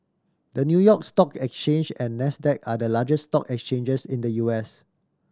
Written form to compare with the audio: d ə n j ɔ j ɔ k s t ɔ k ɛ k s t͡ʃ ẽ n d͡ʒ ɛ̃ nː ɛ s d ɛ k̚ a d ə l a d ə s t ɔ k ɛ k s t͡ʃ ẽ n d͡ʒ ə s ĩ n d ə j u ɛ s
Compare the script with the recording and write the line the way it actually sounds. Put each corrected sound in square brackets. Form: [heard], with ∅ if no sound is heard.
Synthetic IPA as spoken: d ə n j [u] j ɔ k s t ɔ k ɛ k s t͡ʃ ẽ n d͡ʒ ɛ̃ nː ɛ s d ɛ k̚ a d ə l a [d͡ʒ] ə s t ɔ k ɛ k s t͡ʃ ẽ n d͡ʒ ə s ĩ n d ə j u ɛ s